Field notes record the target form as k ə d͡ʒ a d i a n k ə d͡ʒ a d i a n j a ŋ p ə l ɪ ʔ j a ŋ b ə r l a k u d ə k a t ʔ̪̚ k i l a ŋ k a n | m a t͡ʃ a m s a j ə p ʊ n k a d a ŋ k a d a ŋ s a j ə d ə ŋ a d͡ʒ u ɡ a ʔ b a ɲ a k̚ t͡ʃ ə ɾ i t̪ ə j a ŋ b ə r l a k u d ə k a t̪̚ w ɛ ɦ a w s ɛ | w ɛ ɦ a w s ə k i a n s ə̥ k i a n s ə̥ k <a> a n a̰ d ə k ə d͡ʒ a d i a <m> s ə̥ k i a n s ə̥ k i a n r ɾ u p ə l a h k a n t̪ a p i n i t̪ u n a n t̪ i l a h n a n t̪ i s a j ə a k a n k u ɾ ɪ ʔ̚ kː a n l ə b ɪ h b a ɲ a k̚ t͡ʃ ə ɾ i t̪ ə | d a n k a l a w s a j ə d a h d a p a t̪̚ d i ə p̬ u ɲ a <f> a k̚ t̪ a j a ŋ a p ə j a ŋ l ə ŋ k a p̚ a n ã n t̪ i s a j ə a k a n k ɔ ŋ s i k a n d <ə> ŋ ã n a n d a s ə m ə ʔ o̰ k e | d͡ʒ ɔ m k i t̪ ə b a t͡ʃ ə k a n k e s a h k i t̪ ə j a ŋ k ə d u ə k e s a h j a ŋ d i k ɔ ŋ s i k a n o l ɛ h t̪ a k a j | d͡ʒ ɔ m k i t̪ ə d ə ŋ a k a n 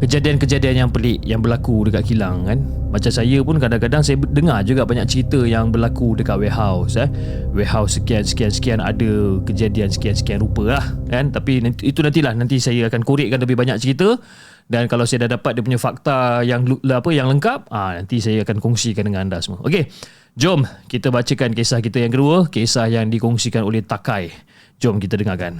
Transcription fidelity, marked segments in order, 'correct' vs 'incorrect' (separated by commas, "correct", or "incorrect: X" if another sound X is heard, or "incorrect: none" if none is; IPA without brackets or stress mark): incorrect: i, incorrect: n, correct, correct